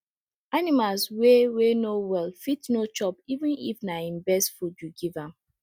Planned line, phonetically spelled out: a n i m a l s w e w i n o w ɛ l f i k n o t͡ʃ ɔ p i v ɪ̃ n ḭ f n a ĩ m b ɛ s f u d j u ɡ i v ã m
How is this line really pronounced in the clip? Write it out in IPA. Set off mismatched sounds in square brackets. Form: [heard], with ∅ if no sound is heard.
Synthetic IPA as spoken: a n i m a l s w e w [e] n o w ɛ l f i [t] n o t͡ʃ ɔ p i v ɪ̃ n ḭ f n a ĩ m b ɛ s f u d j u ɡ i v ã m